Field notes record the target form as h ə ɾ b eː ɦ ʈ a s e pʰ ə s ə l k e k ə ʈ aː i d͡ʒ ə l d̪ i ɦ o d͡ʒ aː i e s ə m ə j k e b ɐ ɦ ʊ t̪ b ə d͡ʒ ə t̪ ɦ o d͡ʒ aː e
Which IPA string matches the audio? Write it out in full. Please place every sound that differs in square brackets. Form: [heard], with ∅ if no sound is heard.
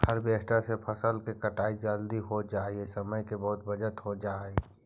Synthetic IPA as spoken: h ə ɾ b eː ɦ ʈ a s e pʰ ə s ə l k e k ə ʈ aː i d͡ʒ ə l d̪ i ɦ o d͡ʒ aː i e s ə m ə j k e b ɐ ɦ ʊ t̪ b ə d͡ʒ ə t̪ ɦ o d͡ʒ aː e